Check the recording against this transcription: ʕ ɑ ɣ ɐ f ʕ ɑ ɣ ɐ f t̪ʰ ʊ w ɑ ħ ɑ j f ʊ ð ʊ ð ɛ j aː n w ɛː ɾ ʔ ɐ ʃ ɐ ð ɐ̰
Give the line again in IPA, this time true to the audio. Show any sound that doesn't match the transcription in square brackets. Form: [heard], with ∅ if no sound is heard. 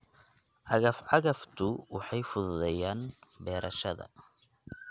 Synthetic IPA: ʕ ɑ ɣ ɐ f ʕ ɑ ɣ ɐ f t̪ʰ ʊ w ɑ ħ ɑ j f ʊ ð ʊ ð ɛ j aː n [b] ɛː ɾ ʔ ɐ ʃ ɐ ð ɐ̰